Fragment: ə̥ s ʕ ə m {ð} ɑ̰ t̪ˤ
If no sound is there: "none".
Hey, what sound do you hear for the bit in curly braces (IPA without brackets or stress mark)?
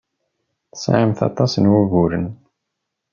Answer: θ